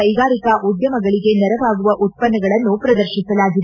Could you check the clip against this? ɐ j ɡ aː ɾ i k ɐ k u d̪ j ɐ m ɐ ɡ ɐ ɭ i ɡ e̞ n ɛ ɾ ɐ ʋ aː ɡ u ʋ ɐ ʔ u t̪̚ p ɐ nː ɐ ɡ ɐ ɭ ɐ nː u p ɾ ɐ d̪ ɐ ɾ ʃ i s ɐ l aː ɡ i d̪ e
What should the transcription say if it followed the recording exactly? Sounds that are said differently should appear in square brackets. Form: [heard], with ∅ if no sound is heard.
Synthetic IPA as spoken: ɐ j ɡ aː ɾ i k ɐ [ʔ] u d̪ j ɐ m ɐ ɡ ɐ ɭ i ɡ e̞ n ɛ ɾ ɐ ʋ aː ɡ u ʋ ɐ ʔ u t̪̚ p ɐ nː ɐ ɡ ɐ ɭ ɐ nː u p ɾ ɐ d̪ ɐ ɾ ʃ i s ɐ l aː ɡ i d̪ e